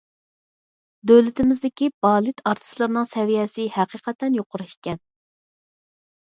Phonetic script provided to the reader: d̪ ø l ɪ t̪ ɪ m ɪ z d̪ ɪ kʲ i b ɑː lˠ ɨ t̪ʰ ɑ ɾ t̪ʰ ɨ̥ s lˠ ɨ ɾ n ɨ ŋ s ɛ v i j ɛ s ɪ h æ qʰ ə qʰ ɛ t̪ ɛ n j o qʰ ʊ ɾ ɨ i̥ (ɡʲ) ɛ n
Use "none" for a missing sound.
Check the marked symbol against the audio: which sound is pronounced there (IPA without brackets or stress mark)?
kʲ